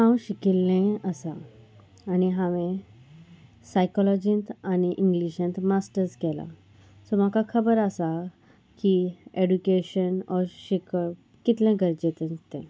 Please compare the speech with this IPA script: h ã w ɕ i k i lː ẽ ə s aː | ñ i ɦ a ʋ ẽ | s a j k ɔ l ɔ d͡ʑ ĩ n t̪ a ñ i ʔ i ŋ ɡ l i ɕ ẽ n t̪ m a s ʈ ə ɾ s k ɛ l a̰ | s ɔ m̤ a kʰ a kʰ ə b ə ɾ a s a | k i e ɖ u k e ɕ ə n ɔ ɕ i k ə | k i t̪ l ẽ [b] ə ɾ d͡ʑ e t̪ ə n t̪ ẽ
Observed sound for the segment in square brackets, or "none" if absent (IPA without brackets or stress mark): ɡ